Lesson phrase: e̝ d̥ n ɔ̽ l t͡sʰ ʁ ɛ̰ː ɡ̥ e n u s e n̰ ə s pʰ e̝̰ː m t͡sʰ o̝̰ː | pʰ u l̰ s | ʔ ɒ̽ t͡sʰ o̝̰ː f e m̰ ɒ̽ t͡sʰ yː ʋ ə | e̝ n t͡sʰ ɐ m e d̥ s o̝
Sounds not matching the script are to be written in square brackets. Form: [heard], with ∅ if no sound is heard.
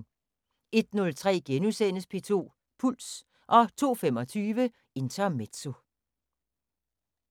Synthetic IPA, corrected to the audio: e̝ d̥ n ɔ̽ l t͡sʰ ʁ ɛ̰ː ɡ̥ e n u s e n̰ ə s pʰ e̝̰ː [∅] t͡sʰ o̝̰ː | pʰ u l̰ s | ʔ ɒ̽ t͡sʰ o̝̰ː f e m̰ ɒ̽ t͡sʰ yː ʋ ə | e̝ n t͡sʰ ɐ m e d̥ s o̝